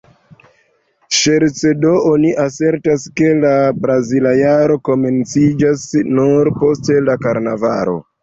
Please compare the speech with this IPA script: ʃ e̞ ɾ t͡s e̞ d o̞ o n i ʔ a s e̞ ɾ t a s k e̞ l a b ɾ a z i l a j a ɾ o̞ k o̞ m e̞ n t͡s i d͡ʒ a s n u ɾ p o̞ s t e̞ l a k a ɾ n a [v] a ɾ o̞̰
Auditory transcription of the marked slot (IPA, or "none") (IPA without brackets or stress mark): v